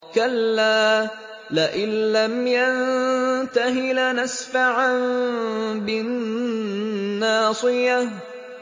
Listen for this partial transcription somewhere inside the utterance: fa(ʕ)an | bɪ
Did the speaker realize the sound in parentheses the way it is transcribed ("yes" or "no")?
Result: yes